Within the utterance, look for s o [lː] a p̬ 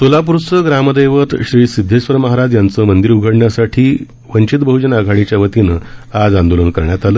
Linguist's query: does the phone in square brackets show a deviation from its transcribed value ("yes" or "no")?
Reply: yes